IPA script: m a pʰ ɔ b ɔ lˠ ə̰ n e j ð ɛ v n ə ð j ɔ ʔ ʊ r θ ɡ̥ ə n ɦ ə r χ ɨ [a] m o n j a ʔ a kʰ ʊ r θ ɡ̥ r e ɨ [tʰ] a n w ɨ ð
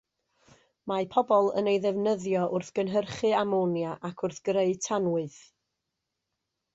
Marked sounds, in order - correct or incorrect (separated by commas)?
correct, correct